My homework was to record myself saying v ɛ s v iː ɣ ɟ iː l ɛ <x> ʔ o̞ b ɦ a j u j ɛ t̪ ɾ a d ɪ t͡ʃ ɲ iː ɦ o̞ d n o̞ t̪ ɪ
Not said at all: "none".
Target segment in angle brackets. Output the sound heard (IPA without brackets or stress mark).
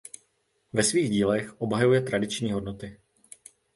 x